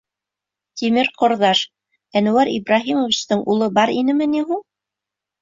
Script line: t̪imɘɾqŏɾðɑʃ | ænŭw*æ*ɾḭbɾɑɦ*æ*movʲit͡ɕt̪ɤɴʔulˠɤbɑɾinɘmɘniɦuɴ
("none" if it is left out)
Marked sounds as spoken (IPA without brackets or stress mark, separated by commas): æ, i